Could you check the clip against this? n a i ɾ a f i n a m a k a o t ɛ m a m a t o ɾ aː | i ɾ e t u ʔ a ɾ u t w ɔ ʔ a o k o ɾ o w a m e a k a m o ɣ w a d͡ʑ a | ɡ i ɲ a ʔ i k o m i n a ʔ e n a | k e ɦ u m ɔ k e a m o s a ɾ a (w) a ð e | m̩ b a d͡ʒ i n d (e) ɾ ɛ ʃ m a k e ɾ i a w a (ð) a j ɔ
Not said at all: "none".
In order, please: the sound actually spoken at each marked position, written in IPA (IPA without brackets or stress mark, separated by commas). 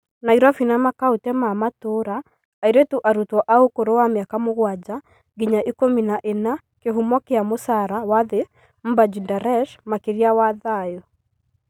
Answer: w, a, ð